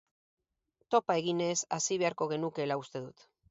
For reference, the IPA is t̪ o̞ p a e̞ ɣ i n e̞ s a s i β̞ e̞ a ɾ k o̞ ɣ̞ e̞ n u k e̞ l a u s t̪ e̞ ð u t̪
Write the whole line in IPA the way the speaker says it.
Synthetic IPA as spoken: t̪ o̞ p a e̞ ɣ i n e̞ s a s i β̞ e̞ a ɾ k o̞ ɣ̞ e̞ n u k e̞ l a u s t̪ e̞ ð u t̪